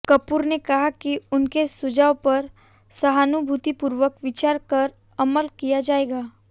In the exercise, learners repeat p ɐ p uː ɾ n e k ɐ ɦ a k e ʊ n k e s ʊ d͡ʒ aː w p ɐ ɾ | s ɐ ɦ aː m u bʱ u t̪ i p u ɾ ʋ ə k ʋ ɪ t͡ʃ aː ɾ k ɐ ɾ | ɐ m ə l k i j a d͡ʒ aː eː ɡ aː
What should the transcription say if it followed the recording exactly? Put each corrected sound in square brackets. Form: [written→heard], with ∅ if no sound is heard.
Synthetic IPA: [p→k] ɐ p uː ɾ n e k ɐ ɦ a k [e→i] ʊ n k e s ʊ d͡ʒ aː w p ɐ ɾ | s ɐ ɦ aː [m→n] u bʱ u t̪ i p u ɾ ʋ ə k ʋ ɪ t͡ʃ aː ɾ k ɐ ɾ | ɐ m ə l k i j a d͡ʒ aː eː ɡ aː